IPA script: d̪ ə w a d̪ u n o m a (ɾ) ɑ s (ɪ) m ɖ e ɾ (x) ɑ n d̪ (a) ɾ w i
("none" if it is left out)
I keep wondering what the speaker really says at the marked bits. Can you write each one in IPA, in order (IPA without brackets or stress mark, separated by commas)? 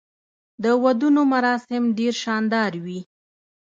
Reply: ɾ, ɪ, ʃ, ɑ